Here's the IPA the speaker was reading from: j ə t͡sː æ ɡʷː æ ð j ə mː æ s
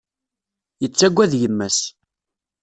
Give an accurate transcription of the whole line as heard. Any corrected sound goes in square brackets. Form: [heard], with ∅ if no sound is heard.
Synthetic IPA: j ə t͡sː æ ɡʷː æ ð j ə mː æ s